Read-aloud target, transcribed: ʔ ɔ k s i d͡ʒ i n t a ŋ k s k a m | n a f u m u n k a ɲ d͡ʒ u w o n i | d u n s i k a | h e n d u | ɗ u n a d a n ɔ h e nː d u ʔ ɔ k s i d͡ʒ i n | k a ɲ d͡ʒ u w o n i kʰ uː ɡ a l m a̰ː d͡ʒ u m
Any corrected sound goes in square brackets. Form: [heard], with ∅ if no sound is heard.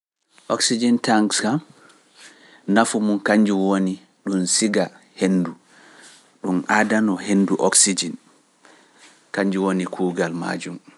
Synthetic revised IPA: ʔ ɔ k s i d͡ʒ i n t a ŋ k s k a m | n a f u m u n k a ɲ d͡ʒ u w o n i | [ɗ] u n s i [ɡ] a | h e n d u | ɗ u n a d a n ɔ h e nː d u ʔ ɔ k s i d͡ʒ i n | k a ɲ d͡ʒ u w o n i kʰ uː ɡ a l m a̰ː d͡ʒ u m